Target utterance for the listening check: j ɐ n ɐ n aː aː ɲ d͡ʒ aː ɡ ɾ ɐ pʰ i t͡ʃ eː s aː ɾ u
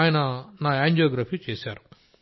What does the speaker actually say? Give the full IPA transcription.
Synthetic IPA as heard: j ɐ n ɐ n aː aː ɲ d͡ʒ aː ɡ ɾ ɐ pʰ i t͡ʃ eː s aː ɾ u